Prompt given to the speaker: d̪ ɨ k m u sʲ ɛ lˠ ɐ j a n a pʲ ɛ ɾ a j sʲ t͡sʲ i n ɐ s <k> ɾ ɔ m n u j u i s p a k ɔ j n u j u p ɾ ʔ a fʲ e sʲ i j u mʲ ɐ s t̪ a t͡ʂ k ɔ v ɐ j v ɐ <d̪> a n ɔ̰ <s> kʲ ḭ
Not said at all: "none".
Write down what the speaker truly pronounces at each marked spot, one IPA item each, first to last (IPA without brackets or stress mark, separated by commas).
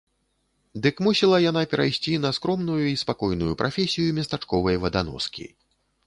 k, d̪, s